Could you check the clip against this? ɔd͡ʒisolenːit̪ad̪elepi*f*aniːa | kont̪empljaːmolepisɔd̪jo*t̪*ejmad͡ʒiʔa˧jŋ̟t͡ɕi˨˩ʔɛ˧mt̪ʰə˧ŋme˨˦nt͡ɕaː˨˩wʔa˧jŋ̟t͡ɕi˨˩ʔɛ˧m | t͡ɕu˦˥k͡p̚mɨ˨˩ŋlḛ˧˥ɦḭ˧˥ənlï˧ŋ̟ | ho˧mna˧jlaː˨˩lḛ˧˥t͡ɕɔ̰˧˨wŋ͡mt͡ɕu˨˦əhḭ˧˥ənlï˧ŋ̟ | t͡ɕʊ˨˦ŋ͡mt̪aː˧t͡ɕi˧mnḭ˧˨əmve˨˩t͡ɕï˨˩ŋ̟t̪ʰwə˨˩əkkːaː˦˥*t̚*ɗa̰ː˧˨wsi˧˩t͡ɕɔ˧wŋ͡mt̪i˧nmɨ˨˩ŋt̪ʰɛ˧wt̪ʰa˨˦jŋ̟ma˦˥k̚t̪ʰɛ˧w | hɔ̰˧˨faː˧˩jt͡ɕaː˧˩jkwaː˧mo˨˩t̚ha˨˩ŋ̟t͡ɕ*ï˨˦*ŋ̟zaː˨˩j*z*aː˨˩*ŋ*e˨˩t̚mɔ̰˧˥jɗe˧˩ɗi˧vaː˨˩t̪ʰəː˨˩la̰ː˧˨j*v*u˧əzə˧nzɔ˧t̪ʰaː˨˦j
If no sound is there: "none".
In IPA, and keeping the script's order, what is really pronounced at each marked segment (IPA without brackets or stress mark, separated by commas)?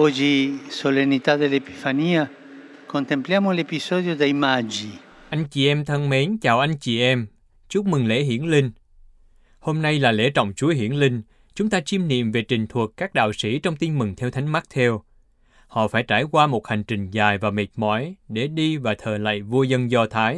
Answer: f, d̪, k̚, ï˨˩, v, m, v